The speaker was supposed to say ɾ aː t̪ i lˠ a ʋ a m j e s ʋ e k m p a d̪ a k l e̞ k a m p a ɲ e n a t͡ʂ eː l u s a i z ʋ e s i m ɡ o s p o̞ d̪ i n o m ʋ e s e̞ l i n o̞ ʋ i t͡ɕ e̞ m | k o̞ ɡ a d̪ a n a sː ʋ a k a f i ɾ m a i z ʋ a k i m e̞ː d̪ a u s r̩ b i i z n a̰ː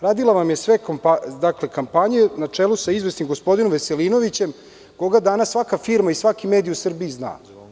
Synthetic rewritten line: ɾ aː d̪ i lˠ a ʋ a m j e s ʋ e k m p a d̪ a k l e̞ k a m p a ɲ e n a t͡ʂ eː l u s a i z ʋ e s i m ɡ o s p o̞ d̪ i n o m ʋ e s e̞ l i n o̞ ʋ i t͡ɕ e̞ m | k o̞ ɡ a d̪ a n a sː ʋ a k a f i ɾ m a i s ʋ a k i m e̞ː d̪ i u s r̩ b i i z n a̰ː